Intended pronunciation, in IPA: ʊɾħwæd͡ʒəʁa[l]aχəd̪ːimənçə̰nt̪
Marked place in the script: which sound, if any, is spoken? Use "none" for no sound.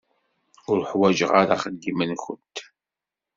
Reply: ɾ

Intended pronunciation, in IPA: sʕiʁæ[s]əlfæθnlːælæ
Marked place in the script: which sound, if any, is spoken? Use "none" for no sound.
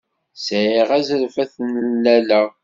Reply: z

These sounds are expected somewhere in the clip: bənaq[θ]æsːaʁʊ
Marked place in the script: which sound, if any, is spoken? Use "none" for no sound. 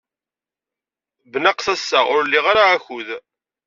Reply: θ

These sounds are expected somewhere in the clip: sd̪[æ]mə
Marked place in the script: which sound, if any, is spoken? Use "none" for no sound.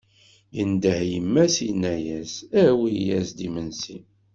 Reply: i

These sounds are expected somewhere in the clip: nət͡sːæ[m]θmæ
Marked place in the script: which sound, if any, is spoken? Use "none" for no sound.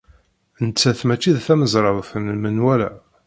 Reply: none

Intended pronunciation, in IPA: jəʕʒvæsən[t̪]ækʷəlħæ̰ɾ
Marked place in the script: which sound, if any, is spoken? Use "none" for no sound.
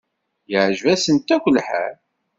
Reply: t̪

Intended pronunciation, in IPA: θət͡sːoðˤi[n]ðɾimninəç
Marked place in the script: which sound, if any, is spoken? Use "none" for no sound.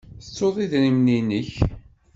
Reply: none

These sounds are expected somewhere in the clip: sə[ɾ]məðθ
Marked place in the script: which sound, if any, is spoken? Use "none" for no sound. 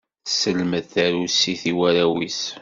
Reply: l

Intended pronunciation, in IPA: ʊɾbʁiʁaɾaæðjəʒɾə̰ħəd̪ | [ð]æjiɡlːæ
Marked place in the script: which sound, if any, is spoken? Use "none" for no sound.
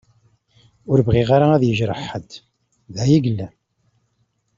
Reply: ð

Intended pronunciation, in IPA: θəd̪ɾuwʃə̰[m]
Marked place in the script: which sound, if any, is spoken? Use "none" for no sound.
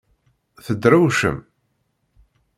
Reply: m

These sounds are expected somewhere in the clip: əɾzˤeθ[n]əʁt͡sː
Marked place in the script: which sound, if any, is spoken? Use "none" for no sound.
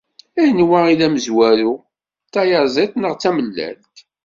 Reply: n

